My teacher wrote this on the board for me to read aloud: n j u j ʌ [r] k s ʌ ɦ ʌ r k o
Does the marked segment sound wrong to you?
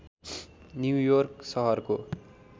no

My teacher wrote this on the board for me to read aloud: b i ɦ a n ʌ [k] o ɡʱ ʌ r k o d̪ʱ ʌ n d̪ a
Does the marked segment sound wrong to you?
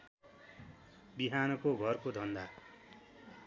no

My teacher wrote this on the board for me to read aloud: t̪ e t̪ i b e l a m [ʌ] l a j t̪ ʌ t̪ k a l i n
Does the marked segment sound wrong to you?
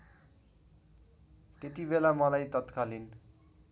no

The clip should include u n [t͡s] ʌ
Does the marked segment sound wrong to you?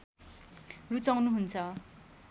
yes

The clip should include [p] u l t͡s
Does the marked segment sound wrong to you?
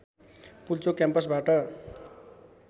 no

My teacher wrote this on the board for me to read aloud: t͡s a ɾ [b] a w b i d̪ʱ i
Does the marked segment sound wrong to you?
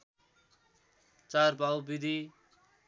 no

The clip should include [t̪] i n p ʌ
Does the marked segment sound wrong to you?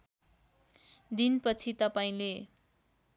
yes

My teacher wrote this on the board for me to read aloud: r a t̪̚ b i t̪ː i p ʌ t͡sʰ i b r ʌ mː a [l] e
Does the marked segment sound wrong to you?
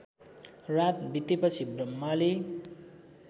no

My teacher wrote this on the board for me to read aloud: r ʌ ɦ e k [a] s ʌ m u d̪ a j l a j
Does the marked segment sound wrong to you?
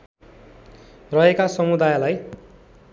no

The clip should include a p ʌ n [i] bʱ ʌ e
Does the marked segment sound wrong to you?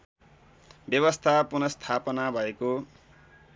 yes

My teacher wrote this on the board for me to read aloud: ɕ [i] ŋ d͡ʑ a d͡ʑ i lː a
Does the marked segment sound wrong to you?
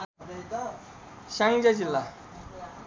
yes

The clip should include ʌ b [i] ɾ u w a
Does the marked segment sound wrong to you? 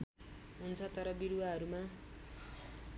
no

